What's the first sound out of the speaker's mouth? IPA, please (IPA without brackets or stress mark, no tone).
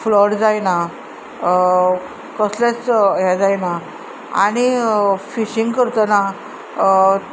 f